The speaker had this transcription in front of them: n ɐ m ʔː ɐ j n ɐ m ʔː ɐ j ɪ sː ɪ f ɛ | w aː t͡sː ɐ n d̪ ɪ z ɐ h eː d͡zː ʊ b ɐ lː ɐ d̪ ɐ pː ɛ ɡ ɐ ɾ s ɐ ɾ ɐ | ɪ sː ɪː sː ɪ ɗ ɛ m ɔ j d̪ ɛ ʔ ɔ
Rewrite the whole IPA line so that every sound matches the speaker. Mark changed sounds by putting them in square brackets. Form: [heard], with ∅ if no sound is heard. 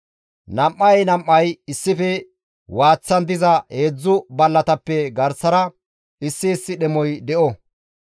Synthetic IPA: n ɐ m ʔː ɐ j n ɐ m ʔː ɐ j ɪ sː ɪ f ɛ | w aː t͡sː ɐ n d̪ ɪ z ɐ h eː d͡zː ʊ b ɐ lː ɐ [t̪] ɐ pː ɛ ɡ ɐ ɾ s ɐ ɾ ɐ | ɪ sː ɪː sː ɪ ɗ ɛ m ɔ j d̪ ɛ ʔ ɔ